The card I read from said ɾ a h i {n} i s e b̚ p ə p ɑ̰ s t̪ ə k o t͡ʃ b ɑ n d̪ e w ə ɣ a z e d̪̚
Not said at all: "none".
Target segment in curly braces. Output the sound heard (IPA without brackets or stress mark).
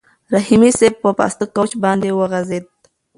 m